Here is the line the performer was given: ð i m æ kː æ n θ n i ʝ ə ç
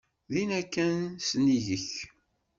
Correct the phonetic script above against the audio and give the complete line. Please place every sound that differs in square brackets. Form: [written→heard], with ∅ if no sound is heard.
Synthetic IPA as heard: ð i [m→n] æ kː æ n [θ→s] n i ʝ ə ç